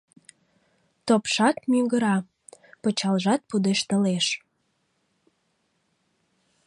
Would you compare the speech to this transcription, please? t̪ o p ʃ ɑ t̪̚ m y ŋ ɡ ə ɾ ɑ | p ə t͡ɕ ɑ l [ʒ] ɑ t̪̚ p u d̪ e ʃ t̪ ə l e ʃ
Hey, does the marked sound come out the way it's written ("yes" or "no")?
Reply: yes